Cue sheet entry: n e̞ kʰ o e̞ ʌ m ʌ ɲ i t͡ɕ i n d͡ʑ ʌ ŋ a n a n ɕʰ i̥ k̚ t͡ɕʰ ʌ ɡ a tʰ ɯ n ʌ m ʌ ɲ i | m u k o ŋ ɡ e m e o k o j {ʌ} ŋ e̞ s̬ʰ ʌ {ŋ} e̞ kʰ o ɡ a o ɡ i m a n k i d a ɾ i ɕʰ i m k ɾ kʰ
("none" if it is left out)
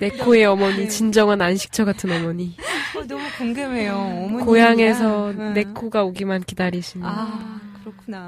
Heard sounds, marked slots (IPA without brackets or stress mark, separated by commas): a, n